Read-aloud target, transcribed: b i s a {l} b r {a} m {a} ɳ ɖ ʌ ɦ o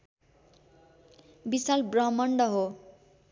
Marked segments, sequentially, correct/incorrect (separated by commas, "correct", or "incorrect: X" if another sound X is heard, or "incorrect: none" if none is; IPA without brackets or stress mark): correct, incorrect: ʌ, incorrect: ʌ